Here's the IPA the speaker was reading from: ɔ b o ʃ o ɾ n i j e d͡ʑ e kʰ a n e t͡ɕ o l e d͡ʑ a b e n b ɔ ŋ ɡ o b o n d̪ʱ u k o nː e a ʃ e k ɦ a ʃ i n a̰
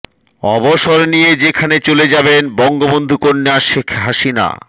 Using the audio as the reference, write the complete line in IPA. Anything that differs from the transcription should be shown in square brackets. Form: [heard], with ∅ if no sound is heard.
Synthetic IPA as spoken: ɔ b o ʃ o ɾ n i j e d͡ʑ e kʰ a n e t͡ɕ o l e d͡ʑ a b e n b ɔ ŋ ɡ o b o n d̪ʱ u k o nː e a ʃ e [kʰ] ɦ a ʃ i n a̰